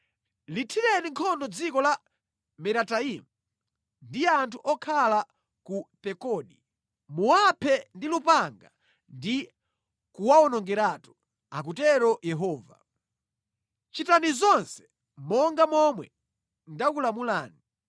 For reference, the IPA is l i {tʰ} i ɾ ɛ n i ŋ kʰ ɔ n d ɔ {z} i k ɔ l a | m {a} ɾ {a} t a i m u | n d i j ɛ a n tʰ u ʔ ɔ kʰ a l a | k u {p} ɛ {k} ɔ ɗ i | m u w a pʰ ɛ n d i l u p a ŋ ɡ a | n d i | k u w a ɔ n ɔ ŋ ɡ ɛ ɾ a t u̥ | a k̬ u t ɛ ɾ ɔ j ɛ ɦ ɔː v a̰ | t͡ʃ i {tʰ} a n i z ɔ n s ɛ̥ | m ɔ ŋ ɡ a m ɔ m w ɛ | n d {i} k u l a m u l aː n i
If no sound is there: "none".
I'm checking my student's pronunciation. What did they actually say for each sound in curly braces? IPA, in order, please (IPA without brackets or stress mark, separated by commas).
tʰ, d͡z, ɛ, a, p, k, t, a